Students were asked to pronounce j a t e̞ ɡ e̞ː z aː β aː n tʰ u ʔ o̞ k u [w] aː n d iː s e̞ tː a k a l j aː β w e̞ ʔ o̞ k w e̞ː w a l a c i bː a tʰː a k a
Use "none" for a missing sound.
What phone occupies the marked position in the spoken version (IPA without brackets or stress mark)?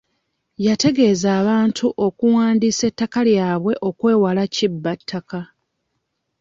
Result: w